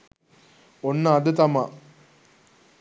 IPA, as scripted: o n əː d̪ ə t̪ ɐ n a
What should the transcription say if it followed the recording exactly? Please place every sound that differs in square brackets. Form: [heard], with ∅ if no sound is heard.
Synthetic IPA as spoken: o [nː] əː d̪ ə t̪ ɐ [m] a